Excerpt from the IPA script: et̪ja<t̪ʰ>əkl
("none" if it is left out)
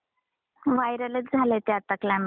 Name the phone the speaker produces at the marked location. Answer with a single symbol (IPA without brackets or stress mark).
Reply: t̪